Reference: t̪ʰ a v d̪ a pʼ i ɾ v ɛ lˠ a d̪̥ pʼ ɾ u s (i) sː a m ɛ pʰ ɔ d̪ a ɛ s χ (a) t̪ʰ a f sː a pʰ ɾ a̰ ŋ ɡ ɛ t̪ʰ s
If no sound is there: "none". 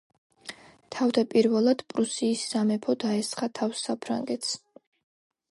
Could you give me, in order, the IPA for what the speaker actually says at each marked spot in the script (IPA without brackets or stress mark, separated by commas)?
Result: iː, a